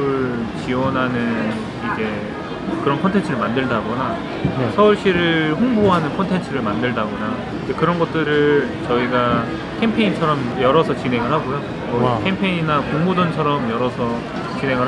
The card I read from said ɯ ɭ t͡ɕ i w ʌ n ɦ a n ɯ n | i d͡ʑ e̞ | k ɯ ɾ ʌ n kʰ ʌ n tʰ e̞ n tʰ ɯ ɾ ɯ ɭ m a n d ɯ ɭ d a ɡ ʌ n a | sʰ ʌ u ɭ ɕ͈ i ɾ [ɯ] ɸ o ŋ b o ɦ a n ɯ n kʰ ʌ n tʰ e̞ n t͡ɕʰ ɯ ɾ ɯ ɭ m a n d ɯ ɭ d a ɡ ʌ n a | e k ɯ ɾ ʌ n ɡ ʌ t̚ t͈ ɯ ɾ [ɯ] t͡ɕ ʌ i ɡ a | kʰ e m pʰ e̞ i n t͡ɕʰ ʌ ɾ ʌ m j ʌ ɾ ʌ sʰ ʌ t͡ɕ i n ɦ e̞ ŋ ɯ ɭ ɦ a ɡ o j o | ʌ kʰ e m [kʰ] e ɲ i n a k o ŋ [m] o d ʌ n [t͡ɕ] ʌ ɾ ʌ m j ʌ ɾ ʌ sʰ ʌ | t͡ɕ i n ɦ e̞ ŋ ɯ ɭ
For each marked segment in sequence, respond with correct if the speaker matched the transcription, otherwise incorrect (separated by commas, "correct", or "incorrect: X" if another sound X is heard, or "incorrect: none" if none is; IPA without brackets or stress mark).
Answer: correct, correct, incorrect: pʰ, correct, incorrect: t͡ɕʰ